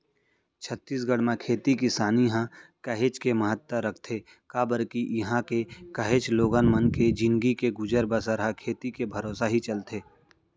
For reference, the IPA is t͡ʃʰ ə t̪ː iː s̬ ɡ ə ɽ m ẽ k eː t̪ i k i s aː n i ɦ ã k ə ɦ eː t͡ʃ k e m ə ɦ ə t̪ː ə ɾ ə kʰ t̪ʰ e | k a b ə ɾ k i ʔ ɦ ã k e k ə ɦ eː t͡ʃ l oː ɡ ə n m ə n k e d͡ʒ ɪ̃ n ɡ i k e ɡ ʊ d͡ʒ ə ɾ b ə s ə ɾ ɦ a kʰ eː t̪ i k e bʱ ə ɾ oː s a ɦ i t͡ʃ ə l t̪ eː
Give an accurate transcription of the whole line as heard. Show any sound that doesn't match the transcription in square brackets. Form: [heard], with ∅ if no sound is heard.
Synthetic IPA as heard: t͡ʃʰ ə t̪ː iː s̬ ɡ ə ɽ m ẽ [kʰ] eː t̪ i k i s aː n i ɦ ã k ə ɦ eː t͡ʃ k e m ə ɦ ə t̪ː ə ɾ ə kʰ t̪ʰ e | k a b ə ɾ k i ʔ ɦ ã k e k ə ɦ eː t͡ʃ l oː ɡ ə n m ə n k e d͡ʒ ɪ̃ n ɡ i k e ɡ ʊ d͡ʒ ə ɾ b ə s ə ɾ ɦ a kʰ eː t̪ i k e bʱ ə ɾ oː s a ɦ i t͡ʃ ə l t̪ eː